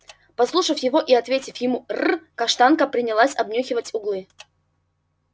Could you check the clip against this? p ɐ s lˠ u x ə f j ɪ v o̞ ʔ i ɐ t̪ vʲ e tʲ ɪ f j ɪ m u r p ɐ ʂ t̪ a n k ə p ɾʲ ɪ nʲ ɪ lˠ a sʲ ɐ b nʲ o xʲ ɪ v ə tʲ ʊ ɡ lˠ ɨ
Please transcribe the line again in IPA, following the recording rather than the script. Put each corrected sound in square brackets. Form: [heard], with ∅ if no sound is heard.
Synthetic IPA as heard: p ɐ s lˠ u [ʂ] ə f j ɪ v o̞ ʔ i ɐ t̪ vʲ e tʲ ɪ f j ɪ m u r [k] ɐ ʂ t̪ a n k ə p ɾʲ ɪ nʲ ɪ lˠ a sʲ ɐ b nʲ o xʲ ɪ v ə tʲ ʊ ɡ lˠ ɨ

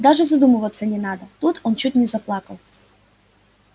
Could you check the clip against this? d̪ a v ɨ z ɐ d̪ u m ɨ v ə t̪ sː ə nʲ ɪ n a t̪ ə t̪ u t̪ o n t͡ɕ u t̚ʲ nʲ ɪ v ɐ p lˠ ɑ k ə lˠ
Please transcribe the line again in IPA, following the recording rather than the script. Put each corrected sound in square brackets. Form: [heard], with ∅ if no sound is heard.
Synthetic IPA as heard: d̪ a [ʐ] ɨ z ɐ d̪ u m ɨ v ə t̪ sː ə nʲ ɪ n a [d̪] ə t̪ u t̪ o n t͡ɕ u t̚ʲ nʲ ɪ [z] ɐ p lˠ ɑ k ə lˠ

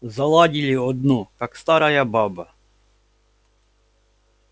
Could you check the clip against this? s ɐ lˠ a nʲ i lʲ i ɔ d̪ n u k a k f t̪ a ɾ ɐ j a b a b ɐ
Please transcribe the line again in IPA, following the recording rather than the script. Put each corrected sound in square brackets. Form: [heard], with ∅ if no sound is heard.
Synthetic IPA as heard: [z] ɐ lˠ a [dʲ] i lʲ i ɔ d̪ n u k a k [s] t̪ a ɾ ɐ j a b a b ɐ

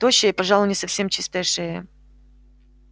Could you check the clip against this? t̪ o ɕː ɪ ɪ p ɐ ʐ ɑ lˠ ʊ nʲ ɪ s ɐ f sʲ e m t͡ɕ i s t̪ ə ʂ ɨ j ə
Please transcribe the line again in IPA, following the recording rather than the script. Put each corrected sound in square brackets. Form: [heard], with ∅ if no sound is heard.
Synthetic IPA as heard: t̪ o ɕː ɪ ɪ p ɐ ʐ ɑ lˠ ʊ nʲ ɪ s ɐ f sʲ e m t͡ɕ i s t̪ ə ʂ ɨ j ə

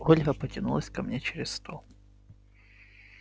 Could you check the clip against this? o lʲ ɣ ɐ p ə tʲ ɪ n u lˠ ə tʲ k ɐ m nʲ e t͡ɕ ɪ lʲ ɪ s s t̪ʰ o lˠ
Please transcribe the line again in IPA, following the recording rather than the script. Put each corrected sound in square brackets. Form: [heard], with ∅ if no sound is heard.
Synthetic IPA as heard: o lʲ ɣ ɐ p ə tʲ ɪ n u lˠ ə [sʲ] k ɐ m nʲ e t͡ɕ ɪ [ɾʲ] ɪ s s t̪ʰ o lˠ

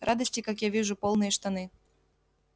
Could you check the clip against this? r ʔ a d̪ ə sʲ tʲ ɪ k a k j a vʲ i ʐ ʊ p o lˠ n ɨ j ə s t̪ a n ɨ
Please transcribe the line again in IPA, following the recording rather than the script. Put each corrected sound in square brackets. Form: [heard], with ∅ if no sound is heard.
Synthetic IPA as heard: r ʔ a d̪ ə sʲ tʲ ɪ k a k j a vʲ i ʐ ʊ p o lˠ n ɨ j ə [ʂ] t̪ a n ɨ

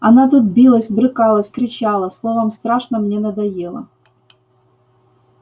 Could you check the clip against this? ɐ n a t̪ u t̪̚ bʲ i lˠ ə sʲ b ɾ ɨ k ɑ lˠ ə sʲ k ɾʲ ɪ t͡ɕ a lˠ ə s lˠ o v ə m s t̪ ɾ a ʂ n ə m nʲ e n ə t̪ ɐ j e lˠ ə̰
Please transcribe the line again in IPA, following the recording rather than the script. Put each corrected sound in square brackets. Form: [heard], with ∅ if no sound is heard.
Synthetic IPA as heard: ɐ n a t̪ u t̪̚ bʲ i lˠ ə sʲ b ɾ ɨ k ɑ lˠ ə sʲ k ɾʲ ɪ t͡ɕ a lˠ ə s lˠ o v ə m s t̪ ɾ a ʂ n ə m nʲ e n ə [d̪] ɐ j e lˠ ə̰

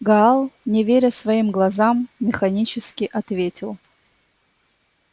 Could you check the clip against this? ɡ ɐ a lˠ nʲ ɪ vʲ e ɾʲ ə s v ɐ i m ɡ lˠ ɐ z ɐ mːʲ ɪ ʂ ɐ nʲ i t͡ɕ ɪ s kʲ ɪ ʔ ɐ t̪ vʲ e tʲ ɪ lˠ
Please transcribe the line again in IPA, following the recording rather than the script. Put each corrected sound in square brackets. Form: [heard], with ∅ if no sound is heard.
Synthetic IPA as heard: ɡ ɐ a lˠ nʲ ɪ vʲ e ɾʲ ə s v ɐ i m ɡ lˠ ɐ z [a] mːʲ ɪ [x] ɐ nʲ i t͡ɕ ɪ s kʲ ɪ ʔ ɐ t̪ vʲ e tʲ ɪ lˠ

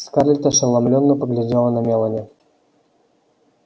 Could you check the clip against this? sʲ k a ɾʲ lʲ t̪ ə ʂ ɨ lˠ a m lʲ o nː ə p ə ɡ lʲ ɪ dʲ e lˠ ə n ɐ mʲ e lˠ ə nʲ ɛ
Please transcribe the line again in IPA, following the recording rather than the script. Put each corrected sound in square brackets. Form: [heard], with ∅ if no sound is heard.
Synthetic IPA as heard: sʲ k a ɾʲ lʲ t̪ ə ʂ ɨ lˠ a m lʲ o nː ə p ə ɡ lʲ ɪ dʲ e lˠ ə n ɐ mʲ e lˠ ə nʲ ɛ

